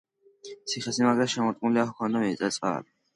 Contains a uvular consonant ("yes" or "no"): yes